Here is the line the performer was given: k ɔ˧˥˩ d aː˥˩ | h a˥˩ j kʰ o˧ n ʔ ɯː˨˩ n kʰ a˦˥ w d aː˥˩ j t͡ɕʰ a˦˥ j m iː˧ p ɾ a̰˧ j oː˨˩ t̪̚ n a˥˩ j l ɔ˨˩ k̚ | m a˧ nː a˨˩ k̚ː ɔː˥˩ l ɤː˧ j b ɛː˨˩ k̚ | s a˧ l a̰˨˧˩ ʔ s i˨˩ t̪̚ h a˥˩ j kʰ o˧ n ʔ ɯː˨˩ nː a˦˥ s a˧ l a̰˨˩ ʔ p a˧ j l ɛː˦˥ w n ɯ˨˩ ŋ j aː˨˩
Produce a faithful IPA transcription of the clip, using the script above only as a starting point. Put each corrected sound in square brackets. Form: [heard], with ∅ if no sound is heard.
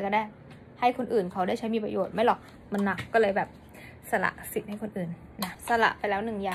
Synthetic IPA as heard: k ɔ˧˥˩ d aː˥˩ | h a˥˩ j kʰ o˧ n ʔ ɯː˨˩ n kʰ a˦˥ w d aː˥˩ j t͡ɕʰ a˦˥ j m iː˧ p ɾ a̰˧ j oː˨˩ t̪̚ [m] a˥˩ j l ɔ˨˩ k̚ | m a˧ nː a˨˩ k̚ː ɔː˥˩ l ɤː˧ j b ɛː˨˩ [p̚] | s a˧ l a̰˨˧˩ ʔ s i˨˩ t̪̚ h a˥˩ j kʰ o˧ n ʔ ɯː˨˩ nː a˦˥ s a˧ l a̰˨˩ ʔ p a˧ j l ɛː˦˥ w n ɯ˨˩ ŋ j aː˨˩